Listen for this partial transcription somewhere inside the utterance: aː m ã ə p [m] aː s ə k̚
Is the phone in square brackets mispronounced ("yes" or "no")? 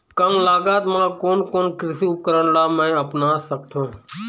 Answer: yes